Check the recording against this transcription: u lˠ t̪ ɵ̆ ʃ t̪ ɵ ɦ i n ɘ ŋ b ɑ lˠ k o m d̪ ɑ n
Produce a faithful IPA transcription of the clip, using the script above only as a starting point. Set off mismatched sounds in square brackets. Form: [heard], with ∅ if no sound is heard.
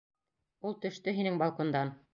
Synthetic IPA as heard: u lˠ t̪ ɵ̆ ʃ t̪ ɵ ɦ i n ɘ ŋ b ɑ lˠ k o [n] d̪ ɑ n